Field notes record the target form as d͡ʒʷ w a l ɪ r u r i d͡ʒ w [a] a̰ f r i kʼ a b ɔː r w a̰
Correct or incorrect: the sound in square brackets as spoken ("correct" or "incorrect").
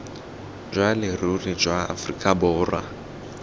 correct